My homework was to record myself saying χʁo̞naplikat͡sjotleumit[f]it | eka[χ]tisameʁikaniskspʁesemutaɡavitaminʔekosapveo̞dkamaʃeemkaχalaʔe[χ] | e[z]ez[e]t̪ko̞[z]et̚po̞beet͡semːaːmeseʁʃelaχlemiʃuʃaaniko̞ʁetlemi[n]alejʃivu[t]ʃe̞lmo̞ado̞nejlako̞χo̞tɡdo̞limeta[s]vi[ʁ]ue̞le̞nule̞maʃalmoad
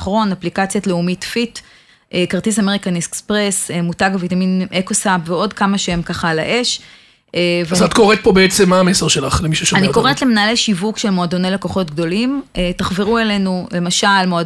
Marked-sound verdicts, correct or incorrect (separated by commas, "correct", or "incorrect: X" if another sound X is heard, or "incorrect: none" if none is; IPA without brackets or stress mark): correct, incorrect: ʁ, incorrect: ʃ, incorrect: v, incorrect: a, incorrect: ʁ, correct, incorrect: k, incorrect: χ, correct